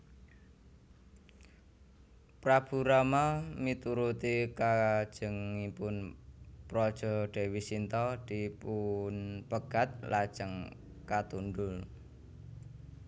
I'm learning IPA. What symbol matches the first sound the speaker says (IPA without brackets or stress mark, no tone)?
p